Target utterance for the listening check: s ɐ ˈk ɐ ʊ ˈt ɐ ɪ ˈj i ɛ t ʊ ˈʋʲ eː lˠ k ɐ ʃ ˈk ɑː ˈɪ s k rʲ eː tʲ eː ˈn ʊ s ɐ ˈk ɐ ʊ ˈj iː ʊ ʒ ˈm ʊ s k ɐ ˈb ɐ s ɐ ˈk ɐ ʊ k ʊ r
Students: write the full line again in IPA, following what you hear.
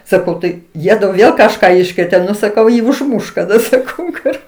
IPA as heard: s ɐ ˈk ɐ ʊ ˈt ɐ ɪ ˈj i ɛ d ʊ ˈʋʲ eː lˠ k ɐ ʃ ˈk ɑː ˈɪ ʃ k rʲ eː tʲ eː ˈn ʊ s ɐ ˈk ɐ ʊ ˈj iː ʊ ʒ ˈm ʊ ʃ k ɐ ˈd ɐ s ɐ ˈk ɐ ʊ k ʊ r